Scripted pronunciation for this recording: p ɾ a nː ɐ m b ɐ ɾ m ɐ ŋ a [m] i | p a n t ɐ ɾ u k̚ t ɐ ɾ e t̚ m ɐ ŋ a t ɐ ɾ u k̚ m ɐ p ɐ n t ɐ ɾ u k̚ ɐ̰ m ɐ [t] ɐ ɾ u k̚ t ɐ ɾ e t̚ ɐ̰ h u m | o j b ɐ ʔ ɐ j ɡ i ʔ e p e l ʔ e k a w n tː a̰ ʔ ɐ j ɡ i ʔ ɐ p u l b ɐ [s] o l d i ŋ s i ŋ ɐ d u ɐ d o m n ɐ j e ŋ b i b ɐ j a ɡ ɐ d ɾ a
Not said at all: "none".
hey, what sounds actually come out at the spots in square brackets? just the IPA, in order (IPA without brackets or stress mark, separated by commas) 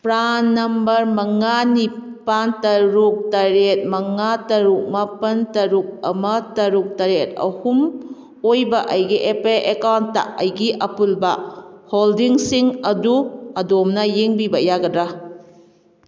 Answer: n, t, h